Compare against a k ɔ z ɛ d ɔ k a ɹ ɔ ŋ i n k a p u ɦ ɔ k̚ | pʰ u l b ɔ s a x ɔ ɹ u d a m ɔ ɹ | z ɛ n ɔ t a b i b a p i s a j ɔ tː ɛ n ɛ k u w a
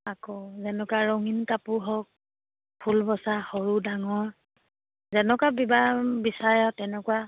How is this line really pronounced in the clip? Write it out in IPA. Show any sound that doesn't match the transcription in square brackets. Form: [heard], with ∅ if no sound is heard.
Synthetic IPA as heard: a k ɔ z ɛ [n] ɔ k a ɹ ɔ ŋ i n k a p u ɦ ɔ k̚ | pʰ u l b ɔ s a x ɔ ɹ u d a [ŋ] ɔ ɹ | z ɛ n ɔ [k] a b i b a [b] i s a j ɔ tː ɛ n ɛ k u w a